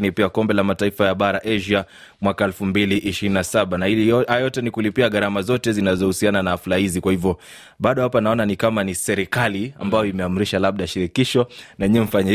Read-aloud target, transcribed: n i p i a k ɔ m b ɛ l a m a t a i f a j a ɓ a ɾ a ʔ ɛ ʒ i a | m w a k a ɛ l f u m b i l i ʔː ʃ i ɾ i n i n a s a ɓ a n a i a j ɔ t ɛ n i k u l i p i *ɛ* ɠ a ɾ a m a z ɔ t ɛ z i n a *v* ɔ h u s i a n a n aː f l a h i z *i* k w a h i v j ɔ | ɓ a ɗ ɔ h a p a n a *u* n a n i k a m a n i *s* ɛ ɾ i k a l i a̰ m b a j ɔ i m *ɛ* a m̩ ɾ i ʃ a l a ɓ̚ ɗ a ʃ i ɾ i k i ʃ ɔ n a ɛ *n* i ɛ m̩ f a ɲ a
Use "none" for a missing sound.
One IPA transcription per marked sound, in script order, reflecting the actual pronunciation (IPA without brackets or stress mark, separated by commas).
a, z, i, ɔ, s, ɛ, ɲ